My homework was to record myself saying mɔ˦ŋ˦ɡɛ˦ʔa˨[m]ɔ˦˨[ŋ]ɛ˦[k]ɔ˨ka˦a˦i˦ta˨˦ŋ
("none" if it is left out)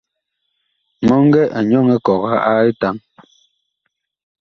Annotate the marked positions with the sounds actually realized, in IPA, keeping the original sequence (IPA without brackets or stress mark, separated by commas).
ɲ, ŋ, k